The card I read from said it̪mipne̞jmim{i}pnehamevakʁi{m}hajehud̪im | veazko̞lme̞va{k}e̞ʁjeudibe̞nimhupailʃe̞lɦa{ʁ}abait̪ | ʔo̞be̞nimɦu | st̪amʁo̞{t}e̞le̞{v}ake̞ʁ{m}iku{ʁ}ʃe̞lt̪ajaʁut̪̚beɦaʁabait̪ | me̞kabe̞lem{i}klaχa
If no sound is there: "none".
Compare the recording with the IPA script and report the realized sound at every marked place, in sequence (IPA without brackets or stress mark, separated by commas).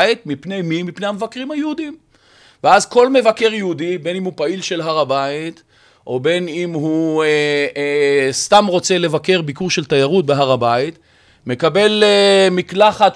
i, m, k, ʁ, t͡s, v, b, ʁ, i